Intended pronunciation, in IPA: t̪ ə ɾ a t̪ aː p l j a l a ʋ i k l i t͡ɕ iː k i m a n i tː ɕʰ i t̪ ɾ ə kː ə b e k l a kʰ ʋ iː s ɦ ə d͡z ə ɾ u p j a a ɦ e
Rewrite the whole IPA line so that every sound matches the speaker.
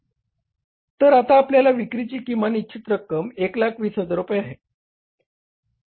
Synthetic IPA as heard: t̪ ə ɾ a t̪ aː p l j a l a ʋ i k ɾ i t͡ɕ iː k i m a n i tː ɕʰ i t̪ ɾ ə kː ə m e k l a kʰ ʋ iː s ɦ ə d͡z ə ɾ u p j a a ɦ e